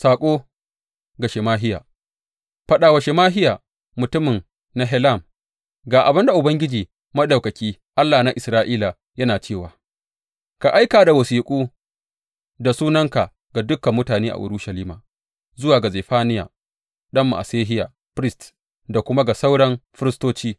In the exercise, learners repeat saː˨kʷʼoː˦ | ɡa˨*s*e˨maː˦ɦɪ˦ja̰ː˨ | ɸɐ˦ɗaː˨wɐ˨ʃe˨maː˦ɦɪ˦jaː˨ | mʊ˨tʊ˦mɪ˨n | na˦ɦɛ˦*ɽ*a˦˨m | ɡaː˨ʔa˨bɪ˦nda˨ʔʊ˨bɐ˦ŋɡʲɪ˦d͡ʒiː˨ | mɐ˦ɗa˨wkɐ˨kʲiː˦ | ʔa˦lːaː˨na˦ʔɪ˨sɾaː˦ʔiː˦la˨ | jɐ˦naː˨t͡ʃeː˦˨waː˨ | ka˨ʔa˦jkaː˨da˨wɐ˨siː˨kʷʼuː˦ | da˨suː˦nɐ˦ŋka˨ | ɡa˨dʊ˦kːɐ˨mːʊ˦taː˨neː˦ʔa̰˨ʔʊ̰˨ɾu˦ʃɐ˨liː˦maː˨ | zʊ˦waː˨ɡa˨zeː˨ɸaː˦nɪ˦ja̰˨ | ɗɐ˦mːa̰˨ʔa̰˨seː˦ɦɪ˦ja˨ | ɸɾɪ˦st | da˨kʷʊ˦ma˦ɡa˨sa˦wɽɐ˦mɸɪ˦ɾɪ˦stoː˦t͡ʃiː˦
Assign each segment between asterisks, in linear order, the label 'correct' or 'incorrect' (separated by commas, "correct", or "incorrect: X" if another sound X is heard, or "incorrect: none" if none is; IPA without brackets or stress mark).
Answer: incorrect: ʃ, incorrect: l